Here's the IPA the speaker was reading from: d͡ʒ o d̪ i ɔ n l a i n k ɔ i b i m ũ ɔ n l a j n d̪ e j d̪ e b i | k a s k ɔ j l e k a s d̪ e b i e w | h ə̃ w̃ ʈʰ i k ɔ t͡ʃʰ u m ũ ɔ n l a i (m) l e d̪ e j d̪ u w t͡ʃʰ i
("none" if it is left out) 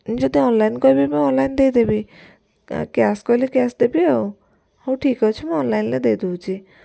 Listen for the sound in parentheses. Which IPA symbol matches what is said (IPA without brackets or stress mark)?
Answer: n